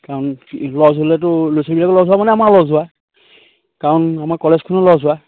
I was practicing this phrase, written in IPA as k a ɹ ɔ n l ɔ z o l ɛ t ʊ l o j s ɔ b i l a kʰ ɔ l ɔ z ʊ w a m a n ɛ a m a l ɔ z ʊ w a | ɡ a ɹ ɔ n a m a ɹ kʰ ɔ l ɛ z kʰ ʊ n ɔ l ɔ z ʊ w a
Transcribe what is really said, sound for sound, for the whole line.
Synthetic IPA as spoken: k a ɹ ɔ n l ɔ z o l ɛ t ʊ l o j s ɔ b i l a k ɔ l ɔ z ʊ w a m a n ɛ a m a l ɔ z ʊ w a | k a ɹ ɔ n a m a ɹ k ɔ l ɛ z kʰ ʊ n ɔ l ɔ z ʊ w a